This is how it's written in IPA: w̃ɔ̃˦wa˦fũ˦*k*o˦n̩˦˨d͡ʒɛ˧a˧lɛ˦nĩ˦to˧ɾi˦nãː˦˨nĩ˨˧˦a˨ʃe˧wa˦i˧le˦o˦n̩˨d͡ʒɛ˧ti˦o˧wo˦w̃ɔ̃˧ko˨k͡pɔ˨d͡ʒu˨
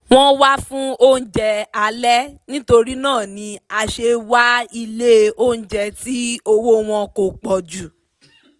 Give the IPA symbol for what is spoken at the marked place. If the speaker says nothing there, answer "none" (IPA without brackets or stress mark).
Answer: none